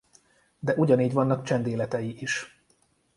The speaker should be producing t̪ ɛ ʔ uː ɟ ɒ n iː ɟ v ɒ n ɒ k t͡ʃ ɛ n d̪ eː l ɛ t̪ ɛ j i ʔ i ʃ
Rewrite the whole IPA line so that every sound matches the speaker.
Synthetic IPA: d̪ ɛ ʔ u ɟ ɒ n iː ɟ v ɒ nː ɒ k t͡ʃ ɛ n d̪ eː l ɛ t̪ ɛ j i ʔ i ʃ